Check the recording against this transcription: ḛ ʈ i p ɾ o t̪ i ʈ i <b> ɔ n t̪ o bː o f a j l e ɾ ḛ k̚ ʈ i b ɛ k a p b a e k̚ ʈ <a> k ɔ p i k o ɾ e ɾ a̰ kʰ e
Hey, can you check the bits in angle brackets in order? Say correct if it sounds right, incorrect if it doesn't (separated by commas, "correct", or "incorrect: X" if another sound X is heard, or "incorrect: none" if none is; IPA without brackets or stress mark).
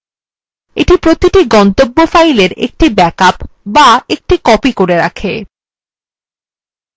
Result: incorrect: ɡ, incorrect: i